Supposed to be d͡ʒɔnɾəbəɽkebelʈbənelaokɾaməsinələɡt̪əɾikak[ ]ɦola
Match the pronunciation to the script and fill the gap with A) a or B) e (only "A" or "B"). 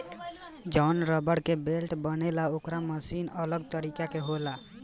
B